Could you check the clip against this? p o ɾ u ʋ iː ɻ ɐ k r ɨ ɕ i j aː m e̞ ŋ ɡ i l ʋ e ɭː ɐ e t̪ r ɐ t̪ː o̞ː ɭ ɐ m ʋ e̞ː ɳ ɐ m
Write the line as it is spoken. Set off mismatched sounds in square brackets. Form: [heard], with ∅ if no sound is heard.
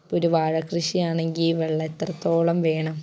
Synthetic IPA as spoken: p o ɾ u ʋ [aː] ɻ ɐ k r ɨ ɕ i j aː [ɳ] e̞ ŋ ɡ i l ʋ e ɭː ɐ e t̪ r ɐ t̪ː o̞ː ɭ ɐ m ʋ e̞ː ɳ ɐ m